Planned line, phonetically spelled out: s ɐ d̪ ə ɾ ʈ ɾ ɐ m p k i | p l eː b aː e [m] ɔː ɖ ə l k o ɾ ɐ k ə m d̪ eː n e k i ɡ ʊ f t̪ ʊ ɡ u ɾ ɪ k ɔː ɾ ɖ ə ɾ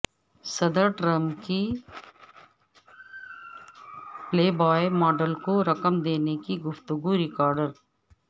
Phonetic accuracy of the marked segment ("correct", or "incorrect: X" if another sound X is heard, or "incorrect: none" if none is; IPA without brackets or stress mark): correct